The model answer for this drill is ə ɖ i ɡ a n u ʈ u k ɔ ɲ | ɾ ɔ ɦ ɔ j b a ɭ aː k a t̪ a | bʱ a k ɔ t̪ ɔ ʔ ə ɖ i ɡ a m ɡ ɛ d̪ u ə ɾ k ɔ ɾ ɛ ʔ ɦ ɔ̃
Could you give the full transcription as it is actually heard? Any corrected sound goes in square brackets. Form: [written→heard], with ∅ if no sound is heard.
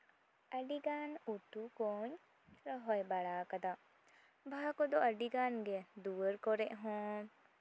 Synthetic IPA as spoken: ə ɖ i ɡ a n u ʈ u k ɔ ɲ | ɾ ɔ ɦ ɔ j b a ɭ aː k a [t̪→d̪] a | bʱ a k ɔ [t̪→d̪] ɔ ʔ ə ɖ i ɡ a [m→n] ɡ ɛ d̪ u ə ɾ k ɔ ɾ ɛ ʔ ɦ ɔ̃